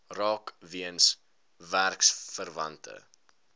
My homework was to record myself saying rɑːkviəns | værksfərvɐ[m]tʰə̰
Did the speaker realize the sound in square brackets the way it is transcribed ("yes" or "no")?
no